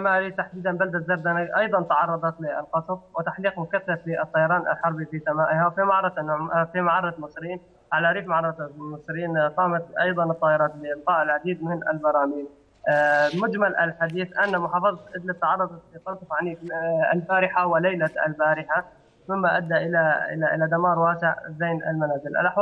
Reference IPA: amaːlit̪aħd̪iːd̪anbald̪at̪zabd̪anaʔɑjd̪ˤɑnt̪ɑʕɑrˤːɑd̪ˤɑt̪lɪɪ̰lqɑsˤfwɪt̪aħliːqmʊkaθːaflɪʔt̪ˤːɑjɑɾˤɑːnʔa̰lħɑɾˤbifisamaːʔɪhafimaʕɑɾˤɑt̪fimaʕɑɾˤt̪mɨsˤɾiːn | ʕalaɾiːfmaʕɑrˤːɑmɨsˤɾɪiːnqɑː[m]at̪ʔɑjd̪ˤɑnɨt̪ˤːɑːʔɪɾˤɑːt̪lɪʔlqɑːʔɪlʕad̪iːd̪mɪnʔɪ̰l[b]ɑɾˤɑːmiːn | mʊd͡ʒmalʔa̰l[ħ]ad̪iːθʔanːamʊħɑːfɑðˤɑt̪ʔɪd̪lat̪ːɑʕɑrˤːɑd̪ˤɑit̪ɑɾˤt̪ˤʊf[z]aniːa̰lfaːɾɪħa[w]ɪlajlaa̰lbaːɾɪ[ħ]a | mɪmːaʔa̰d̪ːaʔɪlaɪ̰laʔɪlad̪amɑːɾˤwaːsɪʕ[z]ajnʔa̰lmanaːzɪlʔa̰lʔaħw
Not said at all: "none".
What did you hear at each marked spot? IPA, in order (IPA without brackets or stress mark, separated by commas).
m, b, ħ, ʕ, w, ħ, z